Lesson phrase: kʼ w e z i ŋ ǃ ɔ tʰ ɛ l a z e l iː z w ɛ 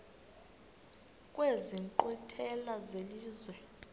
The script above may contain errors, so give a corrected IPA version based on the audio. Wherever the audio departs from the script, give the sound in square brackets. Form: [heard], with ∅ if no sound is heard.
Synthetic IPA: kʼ w e z i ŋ ǃ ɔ tʰ ɛ l a z e l iː z w ɛ